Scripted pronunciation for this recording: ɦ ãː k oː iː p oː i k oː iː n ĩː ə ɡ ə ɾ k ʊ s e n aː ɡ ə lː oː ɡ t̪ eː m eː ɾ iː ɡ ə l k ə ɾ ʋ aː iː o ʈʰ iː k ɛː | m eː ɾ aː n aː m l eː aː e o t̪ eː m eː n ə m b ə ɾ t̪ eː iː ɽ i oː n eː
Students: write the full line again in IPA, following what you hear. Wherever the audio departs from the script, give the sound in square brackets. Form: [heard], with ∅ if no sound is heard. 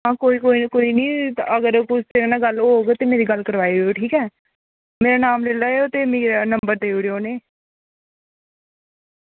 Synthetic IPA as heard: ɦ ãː k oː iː [k] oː i k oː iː n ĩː ə ɡ ə ɾ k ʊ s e n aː ɡ ə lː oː ɡ t̪ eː m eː ɾ iː ɡ ə l k ə ɾ ʋ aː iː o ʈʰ iː k ɛː | m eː ɾ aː n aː m l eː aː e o t̪ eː m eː n ə m b ə ɾ [d̪] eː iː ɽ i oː n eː